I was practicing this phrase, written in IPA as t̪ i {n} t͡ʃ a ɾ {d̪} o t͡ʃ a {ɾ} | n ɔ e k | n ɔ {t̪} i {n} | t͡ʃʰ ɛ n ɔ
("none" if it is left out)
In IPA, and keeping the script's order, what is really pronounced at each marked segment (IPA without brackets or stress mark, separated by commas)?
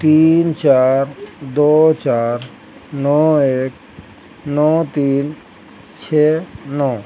n, d̪, ɾ, t̪, n